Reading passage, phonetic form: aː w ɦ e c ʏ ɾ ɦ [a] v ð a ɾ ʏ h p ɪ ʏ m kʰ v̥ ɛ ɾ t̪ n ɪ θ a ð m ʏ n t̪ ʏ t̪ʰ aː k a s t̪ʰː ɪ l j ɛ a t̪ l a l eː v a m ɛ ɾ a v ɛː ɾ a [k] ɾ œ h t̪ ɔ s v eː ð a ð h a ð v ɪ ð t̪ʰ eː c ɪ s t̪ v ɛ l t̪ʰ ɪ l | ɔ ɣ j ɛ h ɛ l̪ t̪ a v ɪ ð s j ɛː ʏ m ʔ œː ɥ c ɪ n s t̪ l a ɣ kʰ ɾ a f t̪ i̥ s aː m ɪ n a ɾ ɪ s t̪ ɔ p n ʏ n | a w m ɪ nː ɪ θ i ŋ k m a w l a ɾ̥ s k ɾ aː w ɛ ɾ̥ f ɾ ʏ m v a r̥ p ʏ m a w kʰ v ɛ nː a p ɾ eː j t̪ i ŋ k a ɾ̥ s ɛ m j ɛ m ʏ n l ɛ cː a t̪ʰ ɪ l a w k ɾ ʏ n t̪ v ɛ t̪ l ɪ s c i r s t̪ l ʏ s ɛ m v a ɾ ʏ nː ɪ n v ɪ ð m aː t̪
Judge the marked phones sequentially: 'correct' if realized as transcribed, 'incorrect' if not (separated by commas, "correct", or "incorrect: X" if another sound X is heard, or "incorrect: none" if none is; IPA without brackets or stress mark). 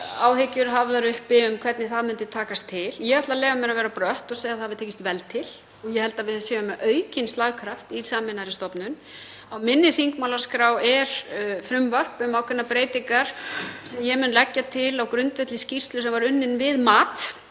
correct, incorrect: p